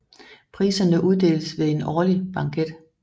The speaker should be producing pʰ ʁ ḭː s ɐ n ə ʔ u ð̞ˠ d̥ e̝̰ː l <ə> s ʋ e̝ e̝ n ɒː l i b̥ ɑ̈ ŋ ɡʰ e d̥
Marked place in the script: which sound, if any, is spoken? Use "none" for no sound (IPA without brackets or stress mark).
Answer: ə